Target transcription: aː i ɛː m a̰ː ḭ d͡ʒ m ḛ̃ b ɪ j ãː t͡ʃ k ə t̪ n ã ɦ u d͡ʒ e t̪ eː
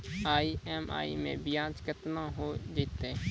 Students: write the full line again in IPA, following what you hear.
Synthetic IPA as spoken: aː i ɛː m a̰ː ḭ m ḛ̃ b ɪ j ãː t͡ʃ k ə t̪ n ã ɦ o d͡ʒ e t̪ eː

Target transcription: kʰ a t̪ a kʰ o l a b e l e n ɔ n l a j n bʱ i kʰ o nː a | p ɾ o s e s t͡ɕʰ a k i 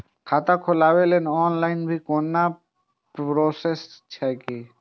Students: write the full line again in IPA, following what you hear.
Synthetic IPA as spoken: kʰ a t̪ a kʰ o l a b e l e n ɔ n l a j n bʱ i k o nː a | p ɾ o s e s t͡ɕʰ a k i

